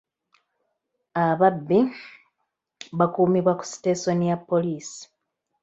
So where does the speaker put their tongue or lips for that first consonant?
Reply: lips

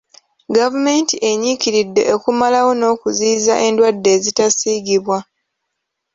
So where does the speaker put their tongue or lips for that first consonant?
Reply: velum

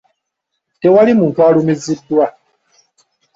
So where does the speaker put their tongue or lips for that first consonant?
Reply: tongue tip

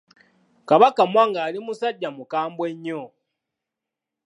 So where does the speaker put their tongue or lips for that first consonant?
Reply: velum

